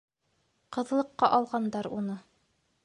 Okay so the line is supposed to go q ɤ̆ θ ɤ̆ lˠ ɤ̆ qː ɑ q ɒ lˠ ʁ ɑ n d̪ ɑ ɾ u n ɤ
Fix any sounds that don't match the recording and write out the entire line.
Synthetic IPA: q ɤ̆ ð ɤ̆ lˠ ɤ̆ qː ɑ ʔ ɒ lˠ ʁ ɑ n d̪ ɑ ɾ u n ɤ